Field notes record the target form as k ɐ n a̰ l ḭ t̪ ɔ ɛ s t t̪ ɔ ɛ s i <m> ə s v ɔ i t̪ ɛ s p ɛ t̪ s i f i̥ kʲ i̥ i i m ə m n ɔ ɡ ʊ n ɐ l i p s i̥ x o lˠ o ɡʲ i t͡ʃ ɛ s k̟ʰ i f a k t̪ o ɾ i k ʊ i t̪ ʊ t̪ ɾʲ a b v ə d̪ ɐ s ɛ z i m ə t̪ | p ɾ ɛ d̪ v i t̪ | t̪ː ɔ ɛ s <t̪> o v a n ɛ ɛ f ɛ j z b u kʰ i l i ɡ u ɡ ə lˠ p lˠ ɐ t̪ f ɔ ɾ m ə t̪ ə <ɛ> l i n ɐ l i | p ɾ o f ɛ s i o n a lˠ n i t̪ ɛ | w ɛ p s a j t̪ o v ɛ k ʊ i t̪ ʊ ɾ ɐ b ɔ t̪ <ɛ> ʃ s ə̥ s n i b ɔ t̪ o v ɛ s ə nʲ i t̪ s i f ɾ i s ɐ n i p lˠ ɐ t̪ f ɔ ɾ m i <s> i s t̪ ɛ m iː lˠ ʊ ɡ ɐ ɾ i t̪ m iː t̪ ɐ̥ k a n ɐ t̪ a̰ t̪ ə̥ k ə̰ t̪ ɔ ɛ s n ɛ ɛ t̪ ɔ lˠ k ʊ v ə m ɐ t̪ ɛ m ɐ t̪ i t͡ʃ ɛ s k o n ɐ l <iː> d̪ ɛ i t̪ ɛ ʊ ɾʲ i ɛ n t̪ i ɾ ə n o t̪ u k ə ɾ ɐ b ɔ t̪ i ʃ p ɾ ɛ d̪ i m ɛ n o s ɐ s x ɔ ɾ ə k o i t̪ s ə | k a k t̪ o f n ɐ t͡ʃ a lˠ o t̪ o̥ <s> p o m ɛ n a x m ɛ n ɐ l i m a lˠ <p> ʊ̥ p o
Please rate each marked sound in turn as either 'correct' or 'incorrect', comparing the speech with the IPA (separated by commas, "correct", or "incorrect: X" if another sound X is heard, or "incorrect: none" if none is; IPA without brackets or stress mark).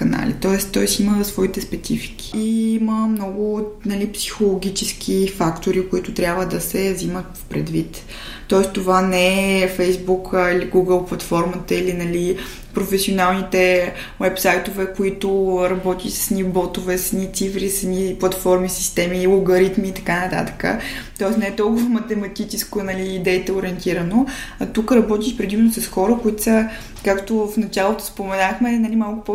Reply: correct, correct, incorrect: i, incorrect: i, correct, correct, correct, incorrect: k